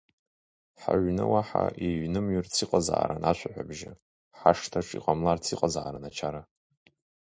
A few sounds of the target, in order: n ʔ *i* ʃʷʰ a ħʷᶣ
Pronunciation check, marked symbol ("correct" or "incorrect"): incorrect